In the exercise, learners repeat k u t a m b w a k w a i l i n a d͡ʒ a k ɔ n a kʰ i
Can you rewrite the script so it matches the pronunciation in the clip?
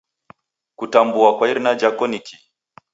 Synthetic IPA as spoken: k u t a m b u a k w a i ɾ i n a d͡ʒ a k ɔ n i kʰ i